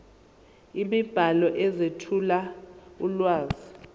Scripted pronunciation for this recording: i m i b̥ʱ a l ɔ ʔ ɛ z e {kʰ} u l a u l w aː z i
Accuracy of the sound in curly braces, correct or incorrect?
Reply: incorrect